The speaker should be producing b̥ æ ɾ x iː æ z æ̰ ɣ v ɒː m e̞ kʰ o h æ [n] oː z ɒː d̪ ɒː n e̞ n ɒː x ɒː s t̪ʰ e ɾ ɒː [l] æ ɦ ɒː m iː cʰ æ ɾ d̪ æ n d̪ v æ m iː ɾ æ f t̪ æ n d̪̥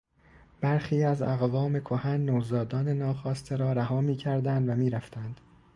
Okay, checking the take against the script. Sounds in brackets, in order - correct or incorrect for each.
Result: incorrect: nː, incorrect: ɾ

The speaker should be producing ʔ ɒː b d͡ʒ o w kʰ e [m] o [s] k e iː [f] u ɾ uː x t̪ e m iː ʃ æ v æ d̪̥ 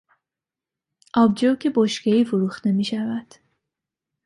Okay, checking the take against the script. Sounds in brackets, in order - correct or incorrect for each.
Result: incorrect: b, incorrect: ʃ, correct

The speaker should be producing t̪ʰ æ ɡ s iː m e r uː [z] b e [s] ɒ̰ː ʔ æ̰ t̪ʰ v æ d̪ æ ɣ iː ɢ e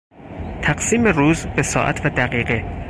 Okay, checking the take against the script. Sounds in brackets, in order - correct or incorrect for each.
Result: correct, correct

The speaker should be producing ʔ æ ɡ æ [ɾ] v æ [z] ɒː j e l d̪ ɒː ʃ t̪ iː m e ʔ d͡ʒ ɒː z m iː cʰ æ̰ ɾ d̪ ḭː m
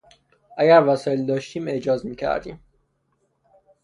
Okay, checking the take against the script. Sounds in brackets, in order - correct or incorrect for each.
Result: correct, incorrect: s

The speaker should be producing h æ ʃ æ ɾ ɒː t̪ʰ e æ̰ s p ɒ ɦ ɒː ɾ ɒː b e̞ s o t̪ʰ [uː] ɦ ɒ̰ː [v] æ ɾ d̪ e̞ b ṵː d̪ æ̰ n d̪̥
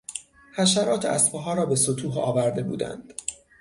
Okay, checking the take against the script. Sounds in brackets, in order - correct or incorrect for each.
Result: correct, correct

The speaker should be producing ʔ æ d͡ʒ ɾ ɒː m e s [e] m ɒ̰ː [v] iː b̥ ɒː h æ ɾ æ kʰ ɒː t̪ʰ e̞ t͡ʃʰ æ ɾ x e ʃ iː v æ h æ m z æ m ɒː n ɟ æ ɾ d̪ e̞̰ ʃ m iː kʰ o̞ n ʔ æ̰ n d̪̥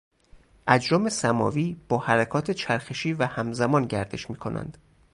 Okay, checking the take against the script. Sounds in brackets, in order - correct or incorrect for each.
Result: incorrect: æ, correct

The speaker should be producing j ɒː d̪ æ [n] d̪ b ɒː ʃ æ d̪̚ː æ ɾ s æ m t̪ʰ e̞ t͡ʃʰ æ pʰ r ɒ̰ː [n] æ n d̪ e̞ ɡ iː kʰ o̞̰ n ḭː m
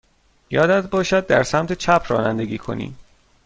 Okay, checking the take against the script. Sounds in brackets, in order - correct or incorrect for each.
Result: incorrect: none, correct

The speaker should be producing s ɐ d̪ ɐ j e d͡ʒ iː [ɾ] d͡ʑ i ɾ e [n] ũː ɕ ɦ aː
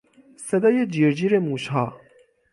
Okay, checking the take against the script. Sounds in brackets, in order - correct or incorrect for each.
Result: correct, incorrect: m

